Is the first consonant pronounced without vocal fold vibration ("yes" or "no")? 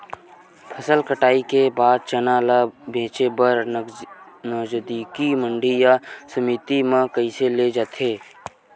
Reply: yes